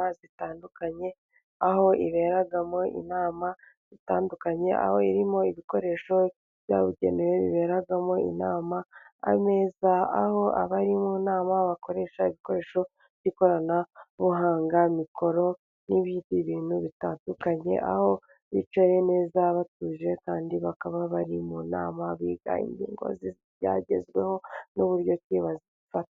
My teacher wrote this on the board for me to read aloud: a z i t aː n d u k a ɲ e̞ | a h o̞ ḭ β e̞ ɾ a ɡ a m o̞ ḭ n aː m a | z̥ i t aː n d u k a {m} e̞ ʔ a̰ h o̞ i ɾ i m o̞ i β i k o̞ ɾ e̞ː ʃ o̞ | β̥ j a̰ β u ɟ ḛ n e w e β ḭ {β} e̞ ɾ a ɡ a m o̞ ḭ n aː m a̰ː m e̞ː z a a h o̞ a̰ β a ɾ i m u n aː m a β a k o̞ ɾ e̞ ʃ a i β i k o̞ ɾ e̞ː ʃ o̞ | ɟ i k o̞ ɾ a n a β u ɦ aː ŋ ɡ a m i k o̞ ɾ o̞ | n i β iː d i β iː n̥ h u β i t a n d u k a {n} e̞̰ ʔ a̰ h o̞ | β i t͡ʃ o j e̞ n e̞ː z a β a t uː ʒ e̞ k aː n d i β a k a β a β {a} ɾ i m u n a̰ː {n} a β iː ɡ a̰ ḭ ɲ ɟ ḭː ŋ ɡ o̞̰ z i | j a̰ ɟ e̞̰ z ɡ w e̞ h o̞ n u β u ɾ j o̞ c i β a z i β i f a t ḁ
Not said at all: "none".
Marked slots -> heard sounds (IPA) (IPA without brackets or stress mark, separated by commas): ɲ, β, ɲ, a, m